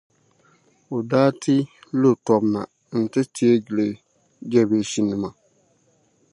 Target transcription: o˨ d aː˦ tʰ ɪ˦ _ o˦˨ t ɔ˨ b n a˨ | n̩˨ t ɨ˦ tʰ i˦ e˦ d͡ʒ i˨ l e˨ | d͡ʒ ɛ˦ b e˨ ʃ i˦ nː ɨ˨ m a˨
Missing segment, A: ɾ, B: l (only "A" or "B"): B